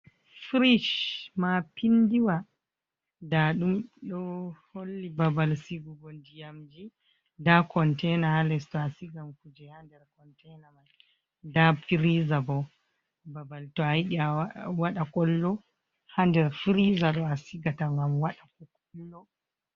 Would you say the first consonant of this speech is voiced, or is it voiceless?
voiceless